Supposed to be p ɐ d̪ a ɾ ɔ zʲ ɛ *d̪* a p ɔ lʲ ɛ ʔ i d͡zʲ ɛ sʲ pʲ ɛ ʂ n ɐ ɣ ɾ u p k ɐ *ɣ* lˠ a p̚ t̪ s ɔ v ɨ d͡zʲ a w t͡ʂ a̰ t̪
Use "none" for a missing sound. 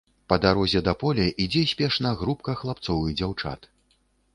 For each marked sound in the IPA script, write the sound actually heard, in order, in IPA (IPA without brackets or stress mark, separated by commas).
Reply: d̪, x